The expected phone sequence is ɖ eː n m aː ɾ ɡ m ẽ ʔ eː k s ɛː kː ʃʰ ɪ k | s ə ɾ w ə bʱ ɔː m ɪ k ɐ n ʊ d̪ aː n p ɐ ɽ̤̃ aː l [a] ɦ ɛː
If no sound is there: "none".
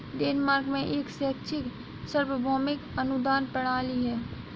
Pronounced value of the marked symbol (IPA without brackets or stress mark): i